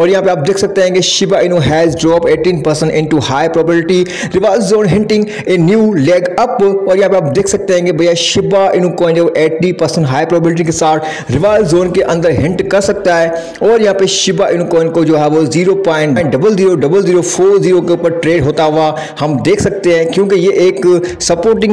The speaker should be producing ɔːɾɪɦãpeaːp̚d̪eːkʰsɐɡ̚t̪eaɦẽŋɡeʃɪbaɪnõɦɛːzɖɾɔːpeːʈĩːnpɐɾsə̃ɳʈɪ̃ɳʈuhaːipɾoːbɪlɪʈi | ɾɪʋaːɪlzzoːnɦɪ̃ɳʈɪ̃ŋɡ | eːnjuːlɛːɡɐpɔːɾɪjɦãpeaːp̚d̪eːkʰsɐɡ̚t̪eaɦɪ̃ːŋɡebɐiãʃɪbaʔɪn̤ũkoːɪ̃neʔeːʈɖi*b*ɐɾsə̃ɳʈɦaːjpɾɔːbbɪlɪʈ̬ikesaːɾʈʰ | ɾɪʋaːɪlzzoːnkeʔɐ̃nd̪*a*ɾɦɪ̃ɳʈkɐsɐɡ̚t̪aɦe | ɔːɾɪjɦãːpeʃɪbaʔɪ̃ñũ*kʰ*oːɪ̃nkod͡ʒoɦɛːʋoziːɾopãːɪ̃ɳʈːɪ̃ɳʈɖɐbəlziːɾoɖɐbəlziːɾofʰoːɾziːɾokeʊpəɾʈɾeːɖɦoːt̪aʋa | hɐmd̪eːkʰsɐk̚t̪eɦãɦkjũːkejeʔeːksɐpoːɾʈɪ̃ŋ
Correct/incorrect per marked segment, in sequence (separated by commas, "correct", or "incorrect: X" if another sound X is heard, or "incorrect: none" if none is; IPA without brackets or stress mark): incorrect: p, incorrect: ə, incorrect: k